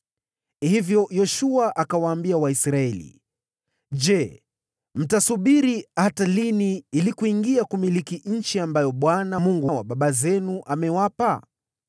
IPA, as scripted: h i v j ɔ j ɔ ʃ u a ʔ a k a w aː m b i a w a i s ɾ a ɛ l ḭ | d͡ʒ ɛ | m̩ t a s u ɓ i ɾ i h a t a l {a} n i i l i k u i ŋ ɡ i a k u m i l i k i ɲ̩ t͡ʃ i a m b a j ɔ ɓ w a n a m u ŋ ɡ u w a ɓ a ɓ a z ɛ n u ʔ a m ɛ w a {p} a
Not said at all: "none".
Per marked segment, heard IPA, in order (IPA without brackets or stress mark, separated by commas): i, p